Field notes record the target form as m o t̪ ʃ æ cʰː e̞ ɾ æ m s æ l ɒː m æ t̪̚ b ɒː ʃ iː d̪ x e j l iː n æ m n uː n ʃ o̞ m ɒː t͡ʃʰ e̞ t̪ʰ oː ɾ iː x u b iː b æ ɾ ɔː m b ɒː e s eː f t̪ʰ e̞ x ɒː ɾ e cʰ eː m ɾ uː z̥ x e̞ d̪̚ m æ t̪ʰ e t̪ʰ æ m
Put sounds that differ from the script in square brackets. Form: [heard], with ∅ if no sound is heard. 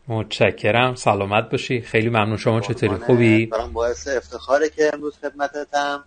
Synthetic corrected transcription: m o t̪ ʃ æ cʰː e̞ ɾ æ m s æ l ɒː m æ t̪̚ b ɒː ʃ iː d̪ x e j l iː [m] æ m n uː n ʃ o̞ m ɒː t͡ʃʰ e̞ t̪ʰ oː ɾ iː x u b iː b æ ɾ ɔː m b ɒː e s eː f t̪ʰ e̞ x ɒː ɾ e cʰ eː m ɾ uː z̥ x e̞ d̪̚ m æ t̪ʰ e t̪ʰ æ m